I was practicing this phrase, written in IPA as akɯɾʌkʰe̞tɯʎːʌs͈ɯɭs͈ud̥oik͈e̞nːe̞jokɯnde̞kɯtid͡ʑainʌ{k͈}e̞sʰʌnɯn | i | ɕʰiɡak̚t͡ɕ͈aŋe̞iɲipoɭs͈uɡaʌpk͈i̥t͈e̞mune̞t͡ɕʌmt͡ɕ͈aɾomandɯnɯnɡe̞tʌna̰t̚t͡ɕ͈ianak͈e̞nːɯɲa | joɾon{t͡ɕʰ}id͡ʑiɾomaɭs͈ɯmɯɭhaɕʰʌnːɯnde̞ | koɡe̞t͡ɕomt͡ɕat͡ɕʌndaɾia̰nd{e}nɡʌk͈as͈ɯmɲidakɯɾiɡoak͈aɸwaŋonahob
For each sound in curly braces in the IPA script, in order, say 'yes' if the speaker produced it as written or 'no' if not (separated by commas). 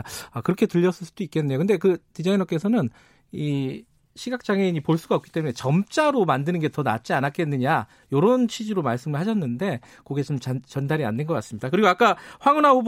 yes, yes, yes